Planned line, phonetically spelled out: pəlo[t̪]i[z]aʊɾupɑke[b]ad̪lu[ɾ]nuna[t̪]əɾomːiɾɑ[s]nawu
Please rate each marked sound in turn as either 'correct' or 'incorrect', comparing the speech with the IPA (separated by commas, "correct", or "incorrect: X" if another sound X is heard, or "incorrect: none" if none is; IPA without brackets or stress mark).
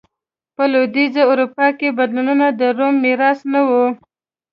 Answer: incorrect: d̪, correct, correct, incorrect: none, incorrect: d̪, correct